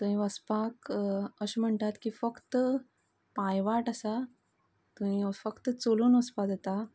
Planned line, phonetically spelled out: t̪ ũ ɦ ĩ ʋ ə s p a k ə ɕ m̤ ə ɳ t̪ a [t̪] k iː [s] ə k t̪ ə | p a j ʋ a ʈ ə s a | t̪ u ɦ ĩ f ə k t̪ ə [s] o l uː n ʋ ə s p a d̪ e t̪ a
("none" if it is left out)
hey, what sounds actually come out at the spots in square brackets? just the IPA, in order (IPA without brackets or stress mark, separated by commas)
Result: t̪, f, t͡s